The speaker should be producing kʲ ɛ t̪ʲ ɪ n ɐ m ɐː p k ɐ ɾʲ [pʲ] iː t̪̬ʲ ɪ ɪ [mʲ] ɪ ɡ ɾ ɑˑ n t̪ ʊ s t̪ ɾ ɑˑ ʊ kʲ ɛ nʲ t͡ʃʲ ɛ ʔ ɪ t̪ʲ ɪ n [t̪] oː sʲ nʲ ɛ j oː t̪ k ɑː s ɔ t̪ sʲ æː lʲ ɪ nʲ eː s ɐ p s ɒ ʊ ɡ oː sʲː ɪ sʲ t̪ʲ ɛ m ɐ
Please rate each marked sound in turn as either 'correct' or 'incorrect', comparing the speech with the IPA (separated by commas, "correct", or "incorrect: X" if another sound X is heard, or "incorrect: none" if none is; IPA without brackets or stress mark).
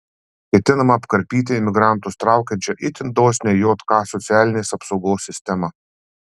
correct, correct, incorrect: d̪